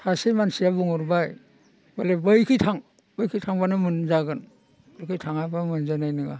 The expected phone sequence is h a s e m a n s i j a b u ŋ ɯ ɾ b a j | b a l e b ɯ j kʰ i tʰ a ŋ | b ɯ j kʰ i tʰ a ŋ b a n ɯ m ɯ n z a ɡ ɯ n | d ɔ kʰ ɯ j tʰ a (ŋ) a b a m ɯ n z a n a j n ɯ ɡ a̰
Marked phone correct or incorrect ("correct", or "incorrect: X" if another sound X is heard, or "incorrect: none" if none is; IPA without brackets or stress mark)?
correct